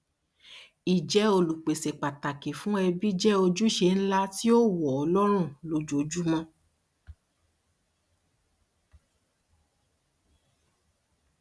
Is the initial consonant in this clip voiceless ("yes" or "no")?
no